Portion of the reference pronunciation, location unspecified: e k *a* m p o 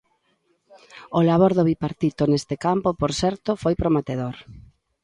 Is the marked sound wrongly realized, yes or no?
no